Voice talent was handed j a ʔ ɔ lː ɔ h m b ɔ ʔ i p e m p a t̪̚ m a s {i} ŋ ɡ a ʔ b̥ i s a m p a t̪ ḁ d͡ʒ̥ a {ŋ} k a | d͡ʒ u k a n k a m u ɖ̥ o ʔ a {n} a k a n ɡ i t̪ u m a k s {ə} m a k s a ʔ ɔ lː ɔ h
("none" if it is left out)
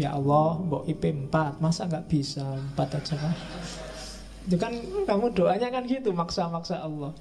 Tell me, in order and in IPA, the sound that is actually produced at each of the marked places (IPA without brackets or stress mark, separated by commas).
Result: a, none, ɲ, a